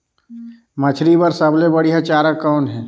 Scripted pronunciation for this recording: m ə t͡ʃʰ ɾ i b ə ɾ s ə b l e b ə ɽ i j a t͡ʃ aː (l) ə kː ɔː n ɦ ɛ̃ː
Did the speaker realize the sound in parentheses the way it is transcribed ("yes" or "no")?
no